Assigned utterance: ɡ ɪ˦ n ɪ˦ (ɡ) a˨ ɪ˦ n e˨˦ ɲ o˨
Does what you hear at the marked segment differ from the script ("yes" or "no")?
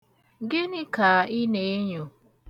yes